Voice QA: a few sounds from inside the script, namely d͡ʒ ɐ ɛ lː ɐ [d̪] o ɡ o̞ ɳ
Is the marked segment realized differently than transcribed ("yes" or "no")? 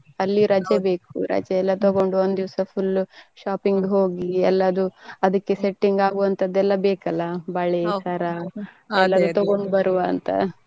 yes